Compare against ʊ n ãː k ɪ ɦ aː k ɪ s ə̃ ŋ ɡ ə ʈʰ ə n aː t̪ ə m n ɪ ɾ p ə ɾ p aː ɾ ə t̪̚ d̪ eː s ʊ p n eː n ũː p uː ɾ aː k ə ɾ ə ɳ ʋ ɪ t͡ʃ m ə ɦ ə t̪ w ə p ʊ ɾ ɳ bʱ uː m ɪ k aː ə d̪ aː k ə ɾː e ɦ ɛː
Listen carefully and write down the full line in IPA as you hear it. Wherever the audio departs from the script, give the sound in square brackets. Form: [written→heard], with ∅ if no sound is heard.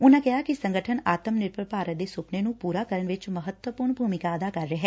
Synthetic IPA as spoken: ʊ n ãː k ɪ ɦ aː k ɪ s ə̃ ŋ ɡ ə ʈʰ ə n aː t̪ ə m n ɪ ɾ p ə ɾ p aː ɾ ə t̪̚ d̪ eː s ʊ p n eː n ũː p uː ɾ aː k ə ɾ ə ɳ ʋ ɪ t͡ʃ m ə ɦ ə t̪ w ə p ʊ ɾ ɳ bʱ uː m ɪ k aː ə d̪ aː k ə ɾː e ɦ ɛː